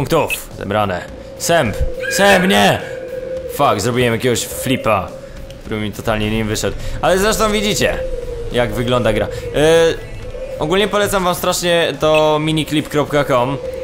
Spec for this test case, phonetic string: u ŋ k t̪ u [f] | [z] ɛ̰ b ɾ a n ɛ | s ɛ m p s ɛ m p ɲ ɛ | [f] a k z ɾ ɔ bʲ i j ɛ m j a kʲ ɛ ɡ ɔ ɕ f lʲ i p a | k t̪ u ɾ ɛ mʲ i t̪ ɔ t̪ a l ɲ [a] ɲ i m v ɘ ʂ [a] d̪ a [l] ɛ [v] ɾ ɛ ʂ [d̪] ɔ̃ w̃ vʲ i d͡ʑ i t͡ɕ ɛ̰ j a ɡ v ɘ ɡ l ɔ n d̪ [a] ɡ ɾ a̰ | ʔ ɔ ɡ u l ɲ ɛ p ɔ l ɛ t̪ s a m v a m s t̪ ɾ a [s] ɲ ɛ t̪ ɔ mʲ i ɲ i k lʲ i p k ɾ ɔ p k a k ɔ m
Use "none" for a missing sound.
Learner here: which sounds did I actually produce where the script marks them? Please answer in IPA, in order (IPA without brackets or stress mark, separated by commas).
f, z, f, ɛ, ɛ, l, z, t̪, a, ʂ